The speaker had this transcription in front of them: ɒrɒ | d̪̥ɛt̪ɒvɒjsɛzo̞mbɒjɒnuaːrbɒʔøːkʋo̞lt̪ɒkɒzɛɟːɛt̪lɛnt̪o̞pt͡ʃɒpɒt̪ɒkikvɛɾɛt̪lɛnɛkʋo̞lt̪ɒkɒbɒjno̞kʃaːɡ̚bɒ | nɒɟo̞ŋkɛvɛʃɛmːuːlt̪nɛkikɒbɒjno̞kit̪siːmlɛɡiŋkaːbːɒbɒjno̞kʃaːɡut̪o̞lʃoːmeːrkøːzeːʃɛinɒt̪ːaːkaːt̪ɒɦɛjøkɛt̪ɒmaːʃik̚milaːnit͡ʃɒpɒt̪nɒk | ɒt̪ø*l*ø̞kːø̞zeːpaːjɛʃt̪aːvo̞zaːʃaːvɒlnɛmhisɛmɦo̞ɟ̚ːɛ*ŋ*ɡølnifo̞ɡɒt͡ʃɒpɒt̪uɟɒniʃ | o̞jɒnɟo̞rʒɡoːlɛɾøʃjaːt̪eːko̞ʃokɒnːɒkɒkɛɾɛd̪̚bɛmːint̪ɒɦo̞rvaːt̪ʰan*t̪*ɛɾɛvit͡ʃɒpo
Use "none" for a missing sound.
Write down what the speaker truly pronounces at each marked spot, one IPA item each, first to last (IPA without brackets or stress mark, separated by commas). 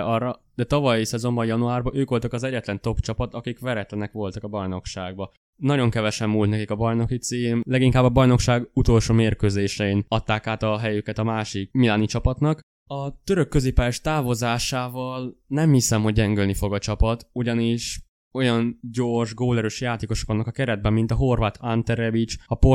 ɾ, ŋ, t̪